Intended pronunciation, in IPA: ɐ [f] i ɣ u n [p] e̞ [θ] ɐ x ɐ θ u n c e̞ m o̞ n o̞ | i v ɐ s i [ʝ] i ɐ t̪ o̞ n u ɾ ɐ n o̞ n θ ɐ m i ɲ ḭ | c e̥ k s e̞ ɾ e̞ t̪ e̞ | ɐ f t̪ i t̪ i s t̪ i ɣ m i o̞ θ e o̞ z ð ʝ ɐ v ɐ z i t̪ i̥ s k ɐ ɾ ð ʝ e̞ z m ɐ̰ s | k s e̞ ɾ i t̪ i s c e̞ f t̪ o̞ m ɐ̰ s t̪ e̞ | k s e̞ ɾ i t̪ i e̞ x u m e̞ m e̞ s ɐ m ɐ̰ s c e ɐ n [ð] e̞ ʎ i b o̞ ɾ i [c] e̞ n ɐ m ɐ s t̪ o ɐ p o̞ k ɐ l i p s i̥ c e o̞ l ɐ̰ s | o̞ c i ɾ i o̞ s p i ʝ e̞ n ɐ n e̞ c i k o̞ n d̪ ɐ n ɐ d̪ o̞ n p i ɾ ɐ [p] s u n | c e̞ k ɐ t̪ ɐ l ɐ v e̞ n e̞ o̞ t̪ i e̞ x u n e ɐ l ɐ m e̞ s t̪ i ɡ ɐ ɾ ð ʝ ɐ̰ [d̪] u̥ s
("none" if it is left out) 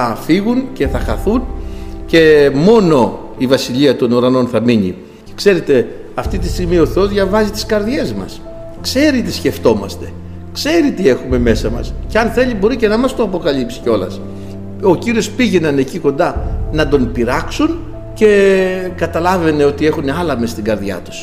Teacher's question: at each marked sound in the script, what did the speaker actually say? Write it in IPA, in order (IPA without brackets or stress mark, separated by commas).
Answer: f, c, θ, ʎ, θ, c, k, t̪